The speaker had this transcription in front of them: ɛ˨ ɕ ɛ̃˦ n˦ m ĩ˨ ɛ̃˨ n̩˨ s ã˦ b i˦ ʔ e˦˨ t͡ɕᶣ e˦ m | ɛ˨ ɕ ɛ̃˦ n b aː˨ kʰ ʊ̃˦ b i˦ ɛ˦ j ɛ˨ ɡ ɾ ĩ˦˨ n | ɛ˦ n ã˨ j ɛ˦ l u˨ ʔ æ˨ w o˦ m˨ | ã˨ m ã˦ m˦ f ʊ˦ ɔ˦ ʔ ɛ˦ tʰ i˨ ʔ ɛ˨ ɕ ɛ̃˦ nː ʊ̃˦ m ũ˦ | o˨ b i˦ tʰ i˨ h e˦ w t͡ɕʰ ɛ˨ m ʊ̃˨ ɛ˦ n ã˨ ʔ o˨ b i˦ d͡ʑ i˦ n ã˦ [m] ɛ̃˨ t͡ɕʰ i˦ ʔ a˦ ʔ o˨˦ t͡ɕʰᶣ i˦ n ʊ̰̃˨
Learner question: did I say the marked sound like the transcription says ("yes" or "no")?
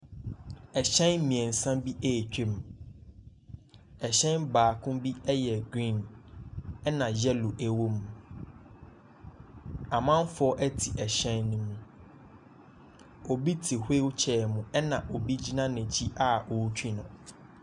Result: no